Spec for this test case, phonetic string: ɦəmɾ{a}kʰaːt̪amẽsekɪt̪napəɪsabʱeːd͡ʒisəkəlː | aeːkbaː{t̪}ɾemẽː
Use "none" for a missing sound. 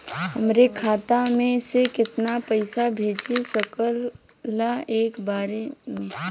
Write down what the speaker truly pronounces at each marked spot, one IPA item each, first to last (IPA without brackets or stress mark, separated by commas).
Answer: e, none